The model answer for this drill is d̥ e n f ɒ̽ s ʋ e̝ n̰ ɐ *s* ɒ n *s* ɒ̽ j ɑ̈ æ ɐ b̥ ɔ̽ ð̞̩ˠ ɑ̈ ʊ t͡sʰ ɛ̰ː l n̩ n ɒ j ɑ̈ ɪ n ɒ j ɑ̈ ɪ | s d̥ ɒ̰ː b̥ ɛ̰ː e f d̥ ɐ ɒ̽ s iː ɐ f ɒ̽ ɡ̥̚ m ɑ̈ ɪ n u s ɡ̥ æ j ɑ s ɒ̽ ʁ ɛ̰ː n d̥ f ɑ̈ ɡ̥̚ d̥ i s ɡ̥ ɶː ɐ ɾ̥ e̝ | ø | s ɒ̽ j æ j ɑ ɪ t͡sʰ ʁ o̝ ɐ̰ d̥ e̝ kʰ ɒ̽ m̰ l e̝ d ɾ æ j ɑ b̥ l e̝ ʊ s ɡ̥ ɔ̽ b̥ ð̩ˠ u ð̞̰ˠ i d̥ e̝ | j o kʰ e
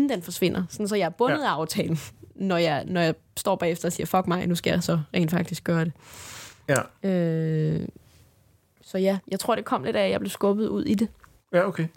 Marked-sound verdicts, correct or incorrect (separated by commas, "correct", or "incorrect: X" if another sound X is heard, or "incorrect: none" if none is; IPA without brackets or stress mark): correct, correct